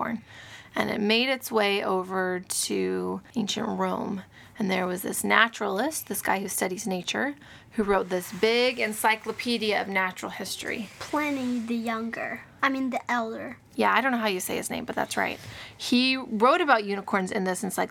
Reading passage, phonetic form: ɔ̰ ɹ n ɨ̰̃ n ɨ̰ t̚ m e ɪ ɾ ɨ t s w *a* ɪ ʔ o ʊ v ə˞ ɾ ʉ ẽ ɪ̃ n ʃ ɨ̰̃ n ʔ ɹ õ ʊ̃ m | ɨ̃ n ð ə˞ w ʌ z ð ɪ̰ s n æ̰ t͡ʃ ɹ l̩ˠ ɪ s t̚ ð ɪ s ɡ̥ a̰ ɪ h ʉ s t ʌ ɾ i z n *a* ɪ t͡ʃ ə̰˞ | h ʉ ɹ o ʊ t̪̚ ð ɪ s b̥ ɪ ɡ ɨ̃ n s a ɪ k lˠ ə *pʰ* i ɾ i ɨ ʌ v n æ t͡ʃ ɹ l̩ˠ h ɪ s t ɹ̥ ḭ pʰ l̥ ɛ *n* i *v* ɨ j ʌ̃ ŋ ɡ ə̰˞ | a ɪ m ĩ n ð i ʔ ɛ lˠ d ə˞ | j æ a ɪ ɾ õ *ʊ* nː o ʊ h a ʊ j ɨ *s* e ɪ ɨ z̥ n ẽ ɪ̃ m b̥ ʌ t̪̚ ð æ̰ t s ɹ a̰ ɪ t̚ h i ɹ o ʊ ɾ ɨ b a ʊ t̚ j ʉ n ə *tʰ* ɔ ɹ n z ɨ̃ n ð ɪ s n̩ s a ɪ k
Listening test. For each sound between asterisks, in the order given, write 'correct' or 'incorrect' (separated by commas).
incorrect, incorrect, correct, correct, incorrect, incorrect, correct, incorrect